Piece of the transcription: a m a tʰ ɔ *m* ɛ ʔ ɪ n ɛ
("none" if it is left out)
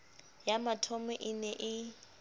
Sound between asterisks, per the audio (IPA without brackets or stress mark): m